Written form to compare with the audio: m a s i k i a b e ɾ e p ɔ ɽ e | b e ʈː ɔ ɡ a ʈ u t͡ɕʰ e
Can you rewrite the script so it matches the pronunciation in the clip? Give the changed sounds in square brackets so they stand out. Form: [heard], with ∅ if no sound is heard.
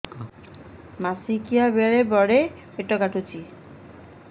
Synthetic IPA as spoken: m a s i k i a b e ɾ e [b] ɔ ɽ e | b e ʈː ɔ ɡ a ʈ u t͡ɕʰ [i]